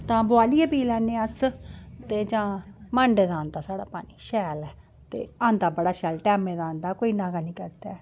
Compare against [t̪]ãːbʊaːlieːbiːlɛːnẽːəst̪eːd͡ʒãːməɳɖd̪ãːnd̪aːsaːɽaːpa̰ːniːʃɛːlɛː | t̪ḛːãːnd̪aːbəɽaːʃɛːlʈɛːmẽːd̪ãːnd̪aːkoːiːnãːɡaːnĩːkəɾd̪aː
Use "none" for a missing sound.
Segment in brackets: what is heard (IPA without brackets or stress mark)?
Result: t̪